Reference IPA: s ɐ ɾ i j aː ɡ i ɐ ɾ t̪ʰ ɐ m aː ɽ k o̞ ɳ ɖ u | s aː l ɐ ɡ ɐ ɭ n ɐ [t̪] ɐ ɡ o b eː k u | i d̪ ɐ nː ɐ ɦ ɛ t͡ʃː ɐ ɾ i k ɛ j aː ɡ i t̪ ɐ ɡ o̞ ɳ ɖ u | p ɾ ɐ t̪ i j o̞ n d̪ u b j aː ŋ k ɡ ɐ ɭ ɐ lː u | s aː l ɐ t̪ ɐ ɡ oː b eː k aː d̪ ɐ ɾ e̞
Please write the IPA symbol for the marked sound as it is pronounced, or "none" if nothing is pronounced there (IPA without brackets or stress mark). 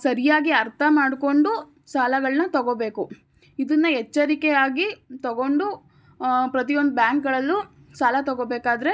t̪